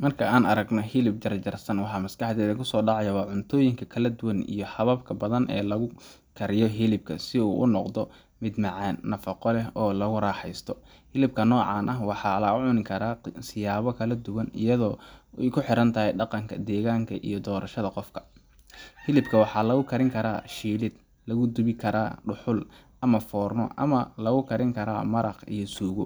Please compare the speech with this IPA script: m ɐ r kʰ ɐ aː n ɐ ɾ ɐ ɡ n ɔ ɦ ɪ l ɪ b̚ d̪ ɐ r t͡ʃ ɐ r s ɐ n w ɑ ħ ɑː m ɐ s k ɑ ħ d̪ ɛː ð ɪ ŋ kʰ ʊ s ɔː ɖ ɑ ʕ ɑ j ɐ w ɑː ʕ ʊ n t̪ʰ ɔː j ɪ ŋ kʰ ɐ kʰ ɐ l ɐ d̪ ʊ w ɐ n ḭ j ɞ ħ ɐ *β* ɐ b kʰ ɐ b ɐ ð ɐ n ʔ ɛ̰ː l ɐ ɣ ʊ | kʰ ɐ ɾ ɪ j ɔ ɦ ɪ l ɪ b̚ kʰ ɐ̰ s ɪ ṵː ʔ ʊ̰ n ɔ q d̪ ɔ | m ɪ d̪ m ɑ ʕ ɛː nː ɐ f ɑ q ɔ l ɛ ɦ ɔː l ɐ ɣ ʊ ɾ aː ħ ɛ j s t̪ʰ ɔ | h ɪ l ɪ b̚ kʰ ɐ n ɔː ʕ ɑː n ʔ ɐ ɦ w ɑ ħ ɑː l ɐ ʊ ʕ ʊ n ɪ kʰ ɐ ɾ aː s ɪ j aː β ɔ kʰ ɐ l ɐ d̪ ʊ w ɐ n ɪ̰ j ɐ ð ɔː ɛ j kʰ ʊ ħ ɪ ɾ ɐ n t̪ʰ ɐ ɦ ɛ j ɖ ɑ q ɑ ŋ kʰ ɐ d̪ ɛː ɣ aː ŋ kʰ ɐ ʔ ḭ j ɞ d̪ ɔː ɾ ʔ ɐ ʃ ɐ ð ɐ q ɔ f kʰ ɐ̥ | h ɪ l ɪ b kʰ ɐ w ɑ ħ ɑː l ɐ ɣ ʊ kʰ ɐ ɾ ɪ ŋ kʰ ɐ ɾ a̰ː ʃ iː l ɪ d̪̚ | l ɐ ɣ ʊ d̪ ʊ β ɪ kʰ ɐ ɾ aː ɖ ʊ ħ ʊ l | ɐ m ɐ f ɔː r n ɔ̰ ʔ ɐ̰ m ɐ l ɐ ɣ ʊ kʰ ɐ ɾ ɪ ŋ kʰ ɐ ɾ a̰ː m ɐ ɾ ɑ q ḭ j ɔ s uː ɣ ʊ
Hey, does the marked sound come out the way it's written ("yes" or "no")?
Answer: yes